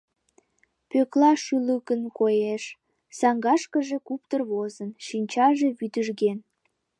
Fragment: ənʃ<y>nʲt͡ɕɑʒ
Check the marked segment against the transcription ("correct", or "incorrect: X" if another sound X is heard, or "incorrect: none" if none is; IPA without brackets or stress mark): incorrect: i